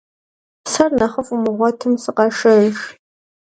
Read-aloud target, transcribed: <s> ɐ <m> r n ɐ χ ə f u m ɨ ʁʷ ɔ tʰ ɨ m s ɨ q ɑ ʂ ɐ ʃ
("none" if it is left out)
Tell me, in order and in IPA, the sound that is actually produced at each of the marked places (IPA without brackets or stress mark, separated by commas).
s, none